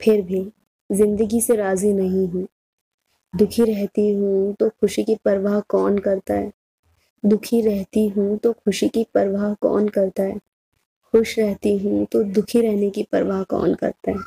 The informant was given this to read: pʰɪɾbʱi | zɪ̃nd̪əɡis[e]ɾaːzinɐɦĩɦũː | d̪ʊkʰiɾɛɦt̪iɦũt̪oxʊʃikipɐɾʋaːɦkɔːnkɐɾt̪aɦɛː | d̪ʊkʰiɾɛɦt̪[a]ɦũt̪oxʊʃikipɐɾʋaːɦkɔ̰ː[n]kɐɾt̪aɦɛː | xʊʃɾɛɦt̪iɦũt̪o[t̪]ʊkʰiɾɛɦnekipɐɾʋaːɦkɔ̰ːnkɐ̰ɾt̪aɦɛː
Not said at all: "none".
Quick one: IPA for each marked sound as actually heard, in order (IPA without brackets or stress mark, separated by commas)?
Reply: e, i, n, d̪